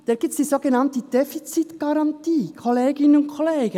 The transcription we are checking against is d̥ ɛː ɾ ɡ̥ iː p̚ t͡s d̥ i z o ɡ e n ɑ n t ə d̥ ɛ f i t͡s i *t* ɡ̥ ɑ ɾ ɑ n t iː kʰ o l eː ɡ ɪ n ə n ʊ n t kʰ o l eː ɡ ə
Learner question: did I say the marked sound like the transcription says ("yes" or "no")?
yes